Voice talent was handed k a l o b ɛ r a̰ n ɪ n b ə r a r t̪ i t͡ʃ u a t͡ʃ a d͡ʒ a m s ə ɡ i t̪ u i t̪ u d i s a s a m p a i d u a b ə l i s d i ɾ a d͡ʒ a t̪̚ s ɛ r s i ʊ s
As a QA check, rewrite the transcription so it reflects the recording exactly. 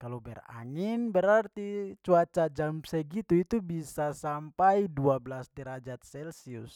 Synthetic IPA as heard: k a l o b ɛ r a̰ ŋ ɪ n b ə ɾ a r t̪ i t͡ʃ u a t͡ʃ a d͡ʒ a m s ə ɡ i t̪ u i t̪ u b i s a s a m p a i d u a b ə l a s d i ɾ a d͡ʒ a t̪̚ s ɛ l s i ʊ s